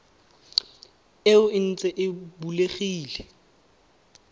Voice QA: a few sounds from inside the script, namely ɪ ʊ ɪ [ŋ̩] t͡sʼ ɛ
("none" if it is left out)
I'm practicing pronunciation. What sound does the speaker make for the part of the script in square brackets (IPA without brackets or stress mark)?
n̩